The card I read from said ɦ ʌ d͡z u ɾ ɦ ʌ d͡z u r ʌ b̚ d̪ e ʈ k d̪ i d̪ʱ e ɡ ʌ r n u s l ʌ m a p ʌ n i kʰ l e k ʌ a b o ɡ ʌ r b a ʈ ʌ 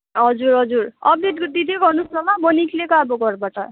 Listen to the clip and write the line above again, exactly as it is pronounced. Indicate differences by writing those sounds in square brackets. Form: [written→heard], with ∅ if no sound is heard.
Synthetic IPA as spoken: ɦ ʌ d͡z u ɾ ɦ ʌ d͡z u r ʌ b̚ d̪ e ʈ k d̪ i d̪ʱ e ɡ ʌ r n u s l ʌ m a [p→b] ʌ n i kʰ l e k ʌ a b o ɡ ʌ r b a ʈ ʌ